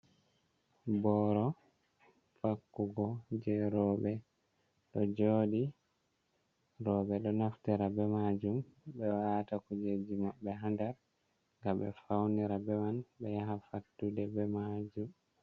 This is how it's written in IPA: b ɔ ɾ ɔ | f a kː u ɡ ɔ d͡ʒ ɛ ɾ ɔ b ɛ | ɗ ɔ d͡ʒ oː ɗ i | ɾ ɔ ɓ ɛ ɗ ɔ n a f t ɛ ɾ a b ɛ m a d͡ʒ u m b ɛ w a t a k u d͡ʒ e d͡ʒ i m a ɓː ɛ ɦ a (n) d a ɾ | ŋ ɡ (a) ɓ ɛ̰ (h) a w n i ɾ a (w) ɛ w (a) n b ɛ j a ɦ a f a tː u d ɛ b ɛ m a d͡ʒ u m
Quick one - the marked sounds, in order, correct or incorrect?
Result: correct, correct, incorrect, incorrect, correct

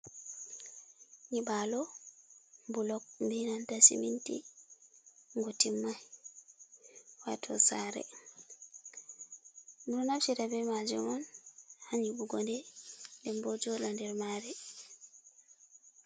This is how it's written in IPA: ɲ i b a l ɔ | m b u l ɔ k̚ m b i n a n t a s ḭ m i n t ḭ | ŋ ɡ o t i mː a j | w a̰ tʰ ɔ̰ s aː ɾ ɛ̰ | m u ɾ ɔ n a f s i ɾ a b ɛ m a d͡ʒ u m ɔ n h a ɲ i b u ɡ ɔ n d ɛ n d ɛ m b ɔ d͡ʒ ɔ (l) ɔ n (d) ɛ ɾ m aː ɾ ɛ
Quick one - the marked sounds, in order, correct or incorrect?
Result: correct, correct

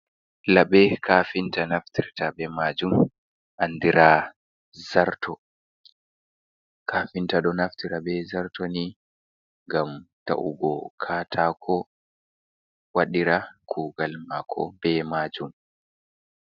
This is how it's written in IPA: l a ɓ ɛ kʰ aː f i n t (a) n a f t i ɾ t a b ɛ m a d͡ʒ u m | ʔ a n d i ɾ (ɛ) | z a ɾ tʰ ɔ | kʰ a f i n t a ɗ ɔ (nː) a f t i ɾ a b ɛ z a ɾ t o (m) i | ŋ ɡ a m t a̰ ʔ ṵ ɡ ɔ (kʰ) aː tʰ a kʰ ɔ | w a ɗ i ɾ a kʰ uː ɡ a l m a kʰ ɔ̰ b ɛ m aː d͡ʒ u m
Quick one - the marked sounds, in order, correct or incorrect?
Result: correct, incorrect, incorrect, incorrect, correct

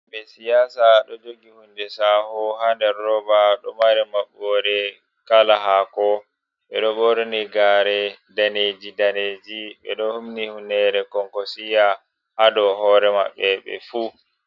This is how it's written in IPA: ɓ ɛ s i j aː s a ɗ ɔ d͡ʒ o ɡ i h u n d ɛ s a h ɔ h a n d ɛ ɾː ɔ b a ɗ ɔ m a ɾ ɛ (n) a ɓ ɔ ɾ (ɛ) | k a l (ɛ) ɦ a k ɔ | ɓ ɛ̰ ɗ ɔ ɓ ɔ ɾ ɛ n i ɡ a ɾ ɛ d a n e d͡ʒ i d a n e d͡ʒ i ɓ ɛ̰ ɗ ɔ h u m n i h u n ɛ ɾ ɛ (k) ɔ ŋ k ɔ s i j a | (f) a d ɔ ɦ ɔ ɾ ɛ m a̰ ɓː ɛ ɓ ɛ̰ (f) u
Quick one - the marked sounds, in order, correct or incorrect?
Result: incorrect, correct, incorrect, correct, incorrect, correct

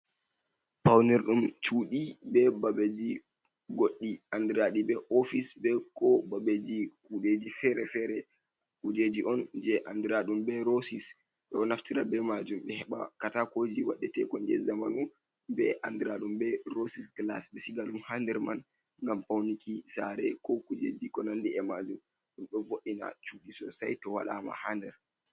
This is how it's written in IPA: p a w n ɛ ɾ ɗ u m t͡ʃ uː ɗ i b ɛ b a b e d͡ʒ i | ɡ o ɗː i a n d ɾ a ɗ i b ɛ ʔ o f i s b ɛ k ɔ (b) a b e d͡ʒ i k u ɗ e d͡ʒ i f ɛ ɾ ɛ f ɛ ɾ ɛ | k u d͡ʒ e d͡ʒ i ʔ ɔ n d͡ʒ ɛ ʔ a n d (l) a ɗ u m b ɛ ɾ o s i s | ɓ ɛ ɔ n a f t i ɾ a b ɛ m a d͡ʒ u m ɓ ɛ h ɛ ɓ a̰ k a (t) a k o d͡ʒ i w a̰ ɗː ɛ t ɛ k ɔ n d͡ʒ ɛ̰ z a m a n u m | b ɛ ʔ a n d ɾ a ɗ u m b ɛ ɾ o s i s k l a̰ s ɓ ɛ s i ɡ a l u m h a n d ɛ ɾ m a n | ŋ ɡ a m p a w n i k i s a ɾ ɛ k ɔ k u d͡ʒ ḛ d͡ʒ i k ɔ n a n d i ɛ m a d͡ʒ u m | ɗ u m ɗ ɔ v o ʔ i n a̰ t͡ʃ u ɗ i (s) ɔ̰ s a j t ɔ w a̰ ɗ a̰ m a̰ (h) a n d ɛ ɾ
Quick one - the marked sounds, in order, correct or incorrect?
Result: correct, incorrect, correct, correct, correct

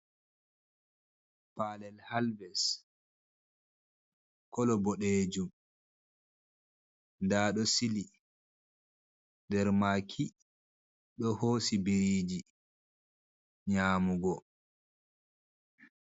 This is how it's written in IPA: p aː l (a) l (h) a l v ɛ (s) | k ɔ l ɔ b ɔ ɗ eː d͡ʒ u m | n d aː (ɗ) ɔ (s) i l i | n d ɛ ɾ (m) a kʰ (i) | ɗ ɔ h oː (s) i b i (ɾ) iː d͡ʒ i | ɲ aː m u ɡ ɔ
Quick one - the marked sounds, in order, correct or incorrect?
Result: incorrect, correct, correct, correct, correct, correct, correct, correct, correct

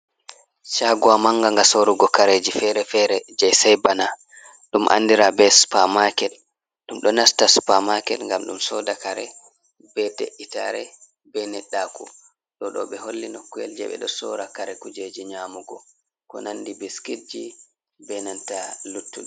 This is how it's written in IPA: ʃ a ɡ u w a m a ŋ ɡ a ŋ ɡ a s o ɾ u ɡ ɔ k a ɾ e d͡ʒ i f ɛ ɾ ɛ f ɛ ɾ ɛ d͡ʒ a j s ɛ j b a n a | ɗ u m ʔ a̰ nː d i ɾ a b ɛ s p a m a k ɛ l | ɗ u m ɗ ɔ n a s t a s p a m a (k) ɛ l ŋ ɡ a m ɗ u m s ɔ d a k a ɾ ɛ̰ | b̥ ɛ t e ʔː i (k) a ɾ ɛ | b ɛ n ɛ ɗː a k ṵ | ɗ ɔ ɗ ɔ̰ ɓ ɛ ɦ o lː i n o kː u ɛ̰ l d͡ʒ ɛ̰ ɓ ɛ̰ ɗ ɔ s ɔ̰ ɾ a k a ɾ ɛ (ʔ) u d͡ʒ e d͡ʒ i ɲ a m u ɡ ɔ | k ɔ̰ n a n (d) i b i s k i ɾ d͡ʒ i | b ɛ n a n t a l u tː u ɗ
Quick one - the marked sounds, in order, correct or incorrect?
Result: correct, incorrect, incorrect, correct

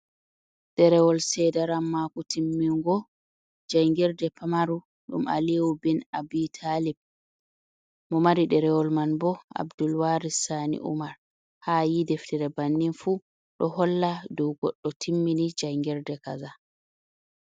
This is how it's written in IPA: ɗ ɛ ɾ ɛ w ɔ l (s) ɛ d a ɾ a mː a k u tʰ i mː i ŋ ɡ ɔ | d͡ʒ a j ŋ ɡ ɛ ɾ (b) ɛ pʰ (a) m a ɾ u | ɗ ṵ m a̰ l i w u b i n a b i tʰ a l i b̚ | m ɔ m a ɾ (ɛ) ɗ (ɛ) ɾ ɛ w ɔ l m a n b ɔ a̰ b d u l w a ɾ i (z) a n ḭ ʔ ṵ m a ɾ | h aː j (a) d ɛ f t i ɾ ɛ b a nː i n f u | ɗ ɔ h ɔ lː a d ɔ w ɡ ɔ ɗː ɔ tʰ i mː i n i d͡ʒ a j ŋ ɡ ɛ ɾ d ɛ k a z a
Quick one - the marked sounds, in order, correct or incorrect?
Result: correct, incorrect, correct, incorrect, correct, incorrect, incorrect

